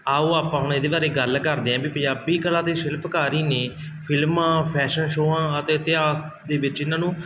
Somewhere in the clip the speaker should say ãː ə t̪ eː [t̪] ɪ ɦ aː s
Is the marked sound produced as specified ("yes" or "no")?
yes